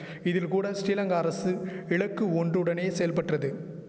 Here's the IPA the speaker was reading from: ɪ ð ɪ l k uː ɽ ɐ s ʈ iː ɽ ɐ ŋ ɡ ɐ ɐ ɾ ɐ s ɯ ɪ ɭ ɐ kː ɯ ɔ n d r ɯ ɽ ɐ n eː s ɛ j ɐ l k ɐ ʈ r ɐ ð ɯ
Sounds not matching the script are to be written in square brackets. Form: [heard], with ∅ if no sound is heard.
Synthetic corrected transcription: ɪ ð ɪ l k uː ɽ ɐ s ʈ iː [l] ɐ ŋ ɡ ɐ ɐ ɾ ɐ s ɯ ɪ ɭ ɐ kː ɯ ɔ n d r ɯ ɽ ɐ n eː s ɛ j ɐ l [p] ɐ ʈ r ɐ ð ɯ